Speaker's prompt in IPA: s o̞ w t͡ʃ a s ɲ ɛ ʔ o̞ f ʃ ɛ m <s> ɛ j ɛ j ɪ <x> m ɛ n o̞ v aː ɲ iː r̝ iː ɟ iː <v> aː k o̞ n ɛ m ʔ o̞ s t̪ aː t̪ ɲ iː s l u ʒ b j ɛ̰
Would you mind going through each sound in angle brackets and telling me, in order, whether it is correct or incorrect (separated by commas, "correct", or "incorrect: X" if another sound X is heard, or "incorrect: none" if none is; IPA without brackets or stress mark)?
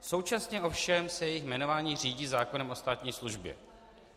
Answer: correct, correct, incorrect: z